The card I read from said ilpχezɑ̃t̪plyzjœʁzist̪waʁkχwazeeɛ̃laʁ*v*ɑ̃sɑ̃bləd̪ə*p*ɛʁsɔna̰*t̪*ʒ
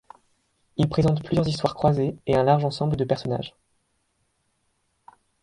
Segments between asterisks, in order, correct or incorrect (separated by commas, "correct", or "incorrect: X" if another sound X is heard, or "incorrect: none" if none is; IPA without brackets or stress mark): incorrect: ʒ, correct, incorrect: none